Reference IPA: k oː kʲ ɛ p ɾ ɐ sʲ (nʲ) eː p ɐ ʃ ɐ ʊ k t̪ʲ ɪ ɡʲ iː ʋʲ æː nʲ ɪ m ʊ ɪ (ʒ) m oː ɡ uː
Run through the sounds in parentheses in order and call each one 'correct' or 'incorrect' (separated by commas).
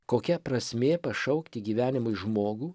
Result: incorrect, correct